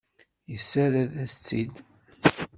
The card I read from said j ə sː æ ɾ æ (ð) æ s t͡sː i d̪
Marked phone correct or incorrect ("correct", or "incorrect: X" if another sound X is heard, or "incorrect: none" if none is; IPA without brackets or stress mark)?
correct